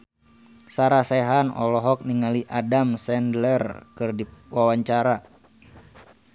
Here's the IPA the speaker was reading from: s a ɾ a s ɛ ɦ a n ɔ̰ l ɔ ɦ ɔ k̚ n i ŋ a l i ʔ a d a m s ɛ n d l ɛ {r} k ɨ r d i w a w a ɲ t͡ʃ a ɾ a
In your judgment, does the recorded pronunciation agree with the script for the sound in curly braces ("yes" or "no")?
yes